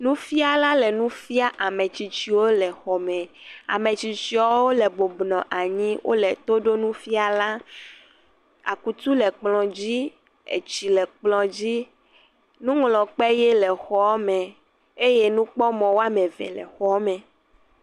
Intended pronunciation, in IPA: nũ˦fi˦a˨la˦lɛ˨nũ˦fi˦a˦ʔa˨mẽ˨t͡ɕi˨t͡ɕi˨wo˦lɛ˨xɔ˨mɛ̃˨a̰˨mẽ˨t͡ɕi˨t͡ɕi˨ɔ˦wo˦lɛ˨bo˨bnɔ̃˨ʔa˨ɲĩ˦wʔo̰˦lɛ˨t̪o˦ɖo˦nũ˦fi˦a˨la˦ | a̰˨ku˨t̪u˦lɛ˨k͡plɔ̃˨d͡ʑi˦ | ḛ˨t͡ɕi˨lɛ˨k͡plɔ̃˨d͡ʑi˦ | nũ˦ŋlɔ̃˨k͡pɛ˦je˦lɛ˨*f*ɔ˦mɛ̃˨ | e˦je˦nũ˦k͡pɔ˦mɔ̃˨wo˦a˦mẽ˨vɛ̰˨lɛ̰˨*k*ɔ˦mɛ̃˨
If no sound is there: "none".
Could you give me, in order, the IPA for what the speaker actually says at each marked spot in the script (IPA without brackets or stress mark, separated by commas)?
x, x